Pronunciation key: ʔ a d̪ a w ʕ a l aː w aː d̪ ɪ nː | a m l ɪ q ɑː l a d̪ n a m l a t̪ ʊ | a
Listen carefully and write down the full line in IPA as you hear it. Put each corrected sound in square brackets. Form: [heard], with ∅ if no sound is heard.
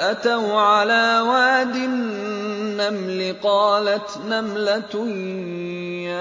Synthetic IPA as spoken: ʔ a [t̪] a w ʕ a l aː w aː d̪ ɪ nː | a m l ɪ q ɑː l a [t̪] n a m l a t̪ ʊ | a